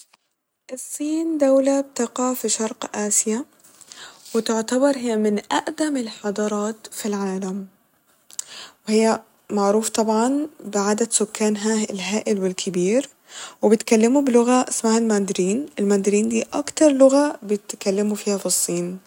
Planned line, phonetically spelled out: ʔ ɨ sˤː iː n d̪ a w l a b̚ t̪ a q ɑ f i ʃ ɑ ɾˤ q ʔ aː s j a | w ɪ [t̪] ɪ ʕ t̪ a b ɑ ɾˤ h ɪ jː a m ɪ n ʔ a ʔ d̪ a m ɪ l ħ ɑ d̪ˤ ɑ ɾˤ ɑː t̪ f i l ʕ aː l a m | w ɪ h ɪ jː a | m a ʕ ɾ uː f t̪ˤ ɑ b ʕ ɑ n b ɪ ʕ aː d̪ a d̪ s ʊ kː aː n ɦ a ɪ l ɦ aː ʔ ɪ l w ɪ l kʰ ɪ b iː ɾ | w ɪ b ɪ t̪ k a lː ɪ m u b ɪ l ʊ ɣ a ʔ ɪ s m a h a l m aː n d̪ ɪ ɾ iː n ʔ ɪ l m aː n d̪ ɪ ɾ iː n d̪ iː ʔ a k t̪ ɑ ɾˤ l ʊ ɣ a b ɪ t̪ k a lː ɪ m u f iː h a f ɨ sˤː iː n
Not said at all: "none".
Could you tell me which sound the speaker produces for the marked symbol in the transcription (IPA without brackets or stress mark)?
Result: t̪